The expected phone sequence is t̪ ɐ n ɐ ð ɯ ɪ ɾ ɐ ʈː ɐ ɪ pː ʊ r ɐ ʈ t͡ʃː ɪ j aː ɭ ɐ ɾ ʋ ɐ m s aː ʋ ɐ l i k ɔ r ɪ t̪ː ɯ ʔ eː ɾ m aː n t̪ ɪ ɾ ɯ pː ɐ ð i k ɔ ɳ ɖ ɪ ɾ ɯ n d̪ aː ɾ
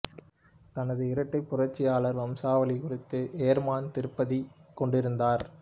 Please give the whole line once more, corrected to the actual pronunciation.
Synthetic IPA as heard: t̪ ɐ n ɐ ð ɯ ɪ ɾ ɐ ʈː ɐ ɪ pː ʊ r ɐ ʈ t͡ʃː ɪ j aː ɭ ɐ ɾ ʋ ɐ m s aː ʋ ɐ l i k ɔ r ɪ t̪ː ɯ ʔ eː ɾ m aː n t̪ ɪ ɾ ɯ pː ɐ ð i k ɔ ɳ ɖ ɪ ɾ ɯ n d̪ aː ɾ